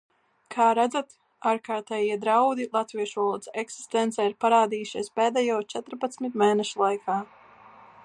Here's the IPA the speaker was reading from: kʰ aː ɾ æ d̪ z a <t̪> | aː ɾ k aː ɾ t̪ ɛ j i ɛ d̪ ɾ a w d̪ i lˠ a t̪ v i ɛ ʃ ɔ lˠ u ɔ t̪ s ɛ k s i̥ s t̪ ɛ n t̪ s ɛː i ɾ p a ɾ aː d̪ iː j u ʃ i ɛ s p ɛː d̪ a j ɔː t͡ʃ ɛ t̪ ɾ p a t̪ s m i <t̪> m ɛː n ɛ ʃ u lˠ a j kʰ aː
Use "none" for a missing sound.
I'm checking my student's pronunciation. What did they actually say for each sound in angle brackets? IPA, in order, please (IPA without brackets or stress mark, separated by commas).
t̪, t̪